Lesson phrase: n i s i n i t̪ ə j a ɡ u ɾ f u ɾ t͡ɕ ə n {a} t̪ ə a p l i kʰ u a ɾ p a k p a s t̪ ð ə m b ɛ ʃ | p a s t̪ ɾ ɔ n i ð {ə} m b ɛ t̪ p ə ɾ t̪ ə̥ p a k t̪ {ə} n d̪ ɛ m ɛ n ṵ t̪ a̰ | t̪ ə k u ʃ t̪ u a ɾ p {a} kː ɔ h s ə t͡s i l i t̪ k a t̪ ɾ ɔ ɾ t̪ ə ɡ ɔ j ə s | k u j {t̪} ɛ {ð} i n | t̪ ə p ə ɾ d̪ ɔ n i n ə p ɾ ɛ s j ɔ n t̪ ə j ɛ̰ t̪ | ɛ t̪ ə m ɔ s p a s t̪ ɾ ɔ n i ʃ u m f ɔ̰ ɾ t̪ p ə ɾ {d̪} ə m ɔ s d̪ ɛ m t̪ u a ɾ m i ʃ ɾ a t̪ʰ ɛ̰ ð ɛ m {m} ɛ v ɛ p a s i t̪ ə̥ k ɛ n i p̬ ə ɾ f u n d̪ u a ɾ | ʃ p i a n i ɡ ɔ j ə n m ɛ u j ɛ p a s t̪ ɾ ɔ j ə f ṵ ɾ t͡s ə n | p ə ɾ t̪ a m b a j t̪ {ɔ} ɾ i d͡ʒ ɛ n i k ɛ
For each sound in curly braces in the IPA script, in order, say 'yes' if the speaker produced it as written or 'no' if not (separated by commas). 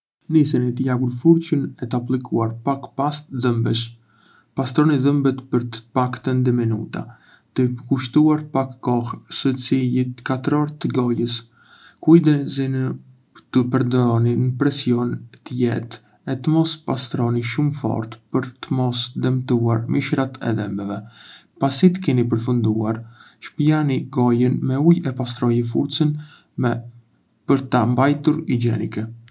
no, yes, yes, yes, no, no, no, no, no